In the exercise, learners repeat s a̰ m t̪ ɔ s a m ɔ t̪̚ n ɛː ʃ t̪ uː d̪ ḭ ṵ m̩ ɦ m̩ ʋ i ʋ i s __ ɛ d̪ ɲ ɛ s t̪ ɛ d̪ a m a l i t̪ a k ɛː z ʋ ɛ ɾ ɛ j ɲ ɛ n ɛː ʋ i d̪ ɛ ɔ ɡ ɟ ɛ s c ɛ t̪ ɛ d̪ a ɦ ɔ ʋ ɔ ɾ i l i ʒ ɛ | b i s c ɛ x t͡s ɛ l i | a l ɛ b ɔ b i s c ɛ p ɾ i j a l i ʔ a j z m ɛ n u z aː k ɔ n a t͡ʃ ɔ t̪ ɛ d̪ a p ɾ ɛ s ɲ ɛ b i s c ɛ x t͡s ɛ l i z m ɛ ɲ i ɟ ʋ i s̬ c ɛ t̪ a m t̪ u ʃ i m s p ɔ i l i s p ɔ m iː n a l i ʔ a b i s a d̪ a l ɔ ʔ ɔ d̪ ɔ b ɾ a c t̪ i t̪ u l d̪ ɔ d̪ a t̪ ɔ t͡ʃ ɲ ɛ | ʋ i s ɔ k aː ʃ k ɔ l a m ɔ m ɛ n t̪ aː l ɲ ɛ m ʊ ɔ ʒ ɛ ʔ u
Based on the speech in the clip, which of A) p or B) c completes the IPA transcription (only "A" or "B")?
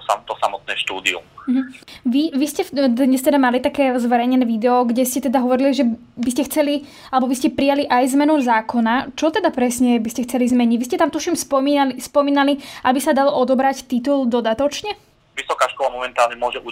B